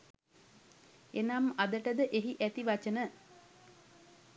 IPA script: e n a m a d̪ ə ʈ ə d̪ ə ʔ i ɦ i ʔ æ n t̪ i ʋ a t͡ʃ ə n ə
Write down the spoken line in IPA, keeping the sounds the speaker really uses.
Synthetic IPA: e n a m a d̪ ə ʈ ə d̪ ə ʔ e ɦ i ʔ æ t̪ i ʋ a t͡ʃ ə n ə